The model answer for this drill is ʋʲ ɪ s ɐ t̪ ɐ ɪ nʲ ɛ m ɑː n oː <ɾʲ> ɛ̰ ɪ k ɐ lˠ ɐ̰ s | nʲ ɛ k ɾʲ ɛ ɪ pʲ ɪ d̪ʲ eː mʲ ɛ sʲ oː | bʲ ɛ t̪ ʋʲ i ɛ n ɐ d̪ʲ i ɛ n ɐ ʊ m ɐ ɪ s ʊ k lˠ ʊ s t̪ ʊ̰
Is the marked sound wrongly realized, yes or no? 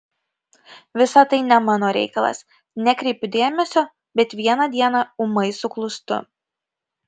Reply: no